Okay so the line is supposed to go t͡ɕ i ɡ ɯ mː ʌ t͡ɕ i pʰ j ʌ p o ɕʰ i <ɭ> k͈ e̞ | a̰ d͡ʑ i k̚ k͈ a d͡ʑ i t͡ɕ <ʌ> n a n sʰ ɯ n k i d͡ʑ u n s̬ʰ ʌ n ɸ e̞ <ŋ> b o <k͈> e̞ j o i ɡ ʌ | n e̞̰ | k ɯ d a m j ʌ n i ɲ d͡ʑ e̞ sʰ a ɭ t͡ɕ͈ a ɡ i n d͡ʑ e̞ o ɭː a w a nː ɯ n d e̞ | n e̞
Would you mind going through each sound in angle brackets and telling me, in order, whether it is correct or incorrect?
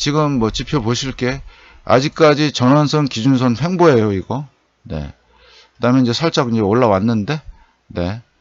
correct, correct, correct, incorrect

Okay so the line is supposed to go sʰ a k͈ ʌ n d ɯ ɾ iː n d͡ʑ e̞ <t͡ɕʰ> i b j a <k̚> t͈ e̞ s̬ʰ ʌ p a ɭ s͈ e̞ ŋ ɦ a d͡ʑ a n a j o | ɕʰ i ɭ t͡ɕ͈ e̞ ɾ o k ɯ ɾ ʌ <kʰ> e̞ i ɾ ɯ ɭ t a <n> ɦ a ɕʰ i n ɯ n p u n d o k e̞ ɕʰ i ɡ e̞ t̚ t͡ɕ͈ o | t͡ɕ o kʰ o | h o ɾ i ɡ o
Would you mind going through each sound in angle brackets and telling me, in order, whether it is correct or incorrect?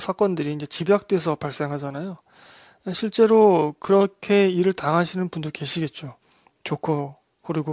incorrect, correct, correct, incorrect

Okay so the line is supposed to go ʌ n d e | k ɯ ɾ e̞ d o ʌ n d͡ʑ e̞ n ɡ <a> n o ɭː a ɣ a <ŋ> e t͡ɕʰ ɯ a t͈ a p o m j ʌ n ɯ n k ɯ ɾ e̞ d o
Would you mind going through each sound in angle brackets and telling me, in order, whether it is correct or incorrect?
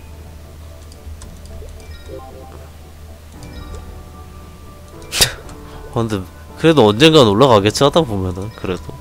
correct, incorrect

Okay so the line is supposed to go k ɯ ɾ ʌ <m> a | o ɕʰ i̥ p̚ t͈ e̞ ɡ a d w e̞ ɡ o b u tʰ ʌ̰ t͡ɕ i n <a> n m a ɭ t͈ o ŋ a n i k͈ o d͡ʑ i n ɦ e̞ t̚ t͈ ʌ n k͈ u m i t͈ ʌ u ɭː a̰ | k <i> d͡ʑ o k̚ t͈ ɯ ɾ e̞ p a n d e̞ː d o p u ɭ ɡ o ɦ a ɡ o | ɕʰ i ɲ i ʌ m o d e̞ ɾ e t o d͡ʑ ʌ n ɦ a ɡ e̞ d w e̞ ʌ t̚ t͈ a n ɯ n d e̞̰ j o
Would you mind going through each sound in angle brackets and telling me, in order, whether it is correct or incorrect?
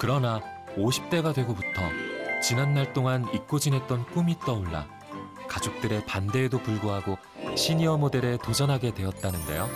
incorrect, correct, incorrect

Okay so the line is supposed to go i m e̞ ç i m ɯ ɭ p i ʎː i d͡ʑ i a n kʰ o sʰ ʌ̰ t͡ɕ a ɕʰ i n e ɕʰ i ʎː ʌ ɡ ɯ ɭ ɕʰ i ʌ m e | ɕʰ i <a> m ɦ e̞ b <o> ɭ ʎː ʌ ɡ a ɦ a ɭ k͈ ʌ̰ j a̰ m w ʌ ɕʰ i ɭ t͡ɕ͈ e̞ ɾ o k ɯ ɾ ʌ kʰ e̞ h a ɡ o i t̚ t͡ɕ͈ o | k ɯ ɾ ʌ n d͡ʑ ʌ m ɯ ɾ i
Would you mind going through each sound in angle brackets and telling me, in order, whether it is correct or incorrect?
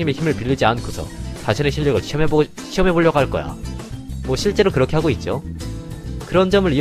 incorrect, correct

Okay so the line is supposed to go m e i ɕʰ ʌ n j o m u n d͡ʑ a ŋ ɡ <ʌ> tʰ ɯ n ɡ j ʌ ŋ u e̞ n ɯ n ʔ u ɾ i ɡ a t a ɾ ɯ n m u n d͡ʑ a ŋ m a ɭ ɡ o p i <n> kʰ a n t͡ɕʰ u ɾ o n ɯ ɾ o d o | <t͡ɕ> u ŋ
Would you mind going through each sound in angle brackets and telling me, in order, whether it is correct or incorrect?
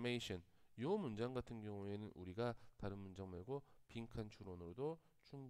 incorrect, incorrect, incorrect

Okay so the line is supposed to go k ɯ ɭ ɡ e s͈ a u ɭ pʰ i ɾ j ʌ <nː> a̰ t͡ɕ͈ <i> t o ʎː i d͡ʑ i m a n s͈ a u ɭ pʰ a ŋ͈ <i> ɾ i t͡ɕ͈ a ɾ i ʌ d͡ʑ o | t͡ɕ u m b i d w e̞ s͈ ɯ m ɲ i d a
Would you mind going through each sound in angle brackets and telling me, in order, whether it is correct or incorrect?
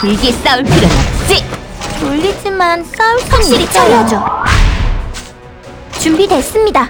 incorrect, correct, correct

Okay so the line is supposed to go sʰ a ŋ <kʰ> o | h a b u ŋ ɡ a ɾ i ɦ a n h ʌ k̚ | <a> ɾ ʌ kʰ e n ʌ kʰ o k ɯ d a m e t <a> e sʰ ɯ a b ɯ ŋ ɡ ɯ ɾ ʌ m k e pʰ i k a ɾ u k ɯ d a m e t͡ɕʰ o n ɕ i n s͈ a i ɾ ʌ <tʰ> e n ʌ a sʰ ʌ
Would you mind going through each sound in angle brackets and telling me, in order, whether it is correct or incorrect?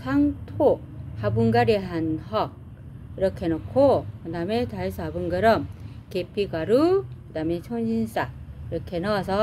incorrect, incorrect, correct, incorrect

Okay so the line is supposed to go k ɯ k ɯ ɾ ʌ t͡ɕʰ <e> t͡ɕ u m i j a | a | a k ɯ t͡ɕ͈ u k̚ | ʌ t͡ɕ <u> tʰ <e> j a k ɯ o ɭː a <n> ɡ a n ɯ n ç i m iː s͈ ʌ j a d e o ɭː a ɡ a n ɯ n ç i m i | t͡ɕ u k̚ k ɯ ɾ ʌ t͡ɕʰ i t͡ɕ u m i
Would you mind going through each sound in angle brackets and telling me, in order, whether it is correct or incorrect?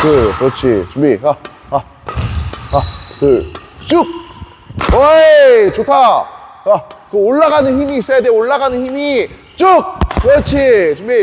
incorrect, incorrect, incorrect, incorrect

